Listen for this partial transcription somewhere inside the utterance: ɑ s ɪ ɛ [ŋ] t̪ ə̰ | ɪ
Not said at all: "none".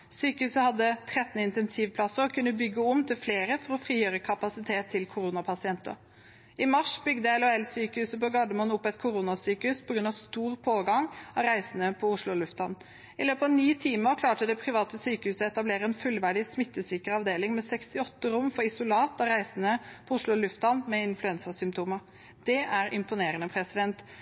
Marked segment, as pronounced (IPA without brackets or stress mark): n